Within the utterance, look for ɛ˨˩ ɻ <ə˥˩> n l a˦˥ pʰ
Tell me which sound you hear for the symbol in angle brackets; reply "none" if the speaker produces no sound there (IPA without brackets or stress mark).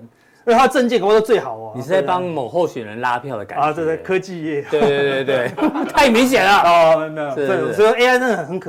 ə˧˦